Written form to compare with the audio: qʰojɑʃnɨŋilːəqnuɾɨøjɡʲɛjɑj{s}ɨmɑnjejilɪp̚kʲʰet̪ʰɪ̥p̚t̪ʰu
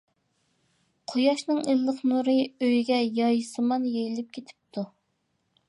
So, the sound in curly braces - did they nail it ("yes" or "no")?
yes